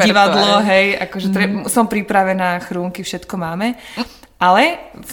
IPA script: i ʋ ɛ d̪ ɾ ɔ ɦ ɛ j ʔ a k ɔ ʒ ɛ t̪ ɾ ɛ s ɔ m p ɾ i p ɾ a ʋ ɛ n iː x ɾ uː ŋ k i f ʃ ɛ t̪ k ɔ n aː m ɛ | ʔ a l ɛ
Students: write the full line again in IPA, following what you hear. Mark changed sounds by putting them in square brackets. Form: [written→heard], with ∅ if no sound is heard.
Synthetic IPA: i ʋ [ɛ→a] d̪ [ɾ→l] ɔ ɦ ɛ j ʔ a k ɔ ʒ ɛ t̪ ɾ ɛ s ɔ m p ɾ i p ɾ a ʋ ɛ n [iː→aː] x ɾ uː ŋ k i f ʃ ɛ t̪ k ɔ [n→m] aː m ɛ | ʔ a l ɛ